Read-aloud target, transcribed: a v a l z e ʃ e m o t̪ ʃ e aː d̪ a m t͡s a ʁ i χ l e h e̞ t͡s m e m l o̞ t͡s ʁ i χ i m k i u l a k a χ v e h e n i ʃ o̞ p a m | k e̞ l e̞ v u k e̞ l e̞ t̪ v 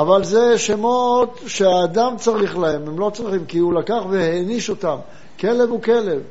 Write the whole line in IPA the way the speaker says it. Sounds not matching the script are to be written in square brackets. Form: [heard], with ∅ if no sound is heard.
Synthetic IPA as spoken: a v a l z e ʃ e m o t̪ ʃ e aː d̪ a m t͡s a ʁ i χ l [a] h e̞ [∅] m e m l o̞ t͡s ʁ i χ i m k i u l a k a χ v e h e n i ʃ o̞ [t] a m | k e̞ l e̞ v u k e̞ l e̞ [∅] v